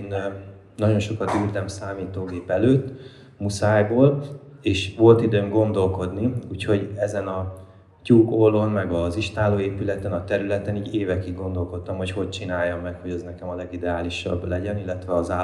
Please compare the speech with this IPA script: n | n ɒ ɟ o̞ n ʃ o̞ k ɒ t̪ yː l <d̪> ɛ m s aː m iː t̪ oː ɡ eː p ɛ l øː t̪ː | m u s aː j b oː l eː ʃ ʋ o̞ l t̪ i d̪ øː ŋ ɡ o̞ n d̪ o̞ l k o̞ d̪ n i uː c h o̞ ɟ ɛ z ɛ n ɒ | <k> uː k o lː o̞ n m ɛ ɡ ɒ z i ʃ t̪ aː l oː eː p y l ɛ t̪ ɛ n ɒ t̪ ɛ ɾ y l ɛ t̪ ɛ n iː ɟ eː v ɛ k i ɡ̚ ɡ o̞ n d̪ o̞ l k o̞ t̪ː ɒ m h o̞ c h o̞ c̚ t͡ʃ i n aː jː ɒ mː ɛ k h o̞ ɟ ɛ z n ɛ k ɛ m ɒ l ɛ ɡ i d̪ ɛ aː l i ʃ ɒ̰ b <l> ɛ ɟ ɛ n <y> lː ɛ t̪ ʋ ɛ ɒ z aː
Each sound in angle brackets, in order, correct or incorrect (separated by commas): incorrect, incorrect, correct, incorrect